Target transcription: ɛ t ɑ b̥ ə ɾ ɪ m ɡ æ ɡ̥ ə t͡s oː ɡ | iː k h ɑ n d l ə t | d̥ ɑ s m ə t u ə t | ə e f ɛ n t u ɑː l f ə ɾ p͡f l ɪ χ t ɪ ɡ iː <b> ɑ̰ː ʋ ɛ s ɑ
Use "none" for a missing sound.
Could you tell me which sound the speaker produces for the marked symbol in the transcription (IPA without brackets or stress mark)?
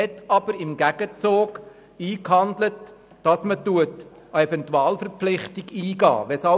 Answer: ɡ